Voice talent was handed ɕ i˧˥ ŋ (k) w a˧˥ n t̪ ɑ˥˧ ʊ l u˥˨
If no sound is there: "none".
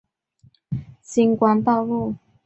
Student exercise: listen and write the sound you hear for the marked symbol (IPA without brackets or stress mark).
k